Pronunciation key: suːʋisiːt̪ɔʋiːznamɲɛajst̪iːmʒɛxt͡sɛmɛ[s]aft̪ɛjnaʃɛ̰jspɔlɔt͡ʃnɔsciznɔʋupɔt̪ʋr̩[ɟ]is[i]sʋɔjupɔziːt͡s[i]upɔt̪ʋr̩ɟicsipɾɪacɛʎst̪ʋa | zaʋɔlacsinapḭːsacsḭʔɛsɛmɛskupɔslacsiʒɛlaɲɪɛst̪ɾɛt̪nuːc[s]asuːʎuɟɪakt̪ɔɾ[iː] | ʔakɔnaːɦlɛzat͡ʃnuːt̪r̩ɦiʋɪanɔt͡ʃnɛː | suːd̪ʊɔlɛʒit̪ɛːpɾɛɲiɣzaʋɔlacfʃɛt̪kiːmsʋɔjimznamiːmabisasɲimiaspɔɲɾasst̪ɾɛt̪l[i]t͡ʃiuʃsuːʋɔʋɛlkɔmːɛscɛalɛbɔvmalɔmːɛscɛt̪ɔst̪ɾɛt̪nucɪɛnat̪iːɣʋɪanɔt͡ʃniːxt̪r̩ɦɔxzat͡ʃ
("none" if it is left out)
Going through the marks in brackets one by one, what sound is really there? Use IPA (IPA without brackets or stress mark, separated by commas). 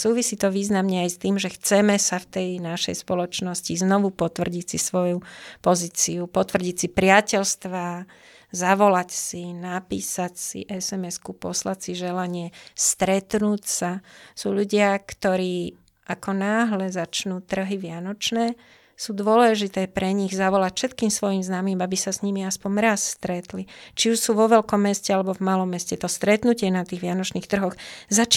s, ɟ, i, i, s, iː, i